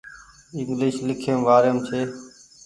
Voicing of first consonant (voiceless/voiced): voiced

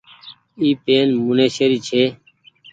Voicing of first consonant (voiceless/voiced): voiceless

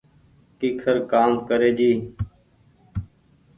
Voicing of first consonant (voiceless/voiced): voiceless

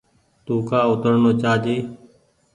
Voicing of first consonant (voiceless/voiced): voiceless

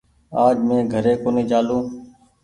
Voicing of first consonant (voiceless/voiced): voiced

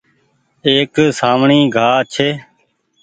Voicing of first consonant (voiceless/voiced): voiceless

